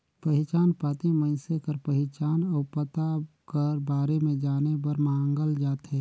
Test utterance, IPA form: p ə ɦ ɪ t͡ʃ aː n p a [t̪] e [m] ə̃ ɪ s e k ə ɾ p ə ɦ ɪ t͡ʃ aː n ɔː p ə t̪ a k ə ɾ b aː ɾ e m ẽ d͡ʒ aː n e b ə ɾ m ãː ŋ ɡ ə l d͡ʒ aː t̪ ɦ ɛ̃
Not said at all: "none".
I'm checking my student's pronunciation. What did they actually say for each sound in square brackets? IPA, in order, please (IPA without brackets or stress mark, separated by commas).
t̪, m